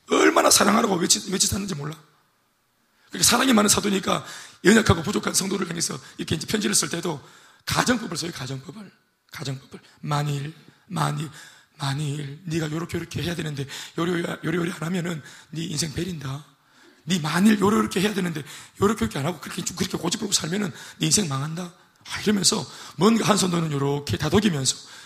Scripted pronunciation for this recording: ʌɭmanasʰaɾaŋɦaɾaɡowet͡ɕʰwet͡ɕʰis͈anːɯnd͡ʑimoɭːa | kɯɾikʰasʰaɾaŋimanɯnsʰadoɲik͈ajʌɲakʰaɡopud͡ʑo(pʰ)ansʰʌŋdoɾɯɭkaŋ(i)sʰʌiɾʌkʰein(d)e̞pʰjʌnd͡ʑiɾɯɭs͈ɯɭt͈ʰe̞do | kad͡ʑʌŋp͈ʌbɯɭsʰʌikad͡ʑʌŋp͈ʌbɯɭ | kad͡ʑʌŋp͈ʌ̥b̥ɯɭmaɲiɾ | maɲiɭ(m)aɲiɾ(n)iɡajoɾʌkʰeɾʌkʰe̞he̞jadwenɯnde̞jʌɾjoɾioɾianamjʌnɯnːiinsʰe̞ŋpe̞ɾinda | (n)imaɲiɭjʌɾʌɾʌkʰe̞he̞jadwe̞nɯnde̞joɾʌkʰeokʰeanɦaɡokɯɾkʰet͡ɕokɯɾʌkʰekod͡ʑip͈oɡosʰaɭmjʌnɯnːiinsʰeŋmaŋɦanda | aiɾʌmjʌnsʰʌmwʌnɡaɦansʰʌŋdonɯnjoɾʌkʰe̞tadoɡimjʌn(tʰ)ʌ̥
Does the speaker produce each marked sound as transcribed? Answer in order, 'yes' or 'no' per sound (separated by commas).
no, no, no, yes, yes, yes, no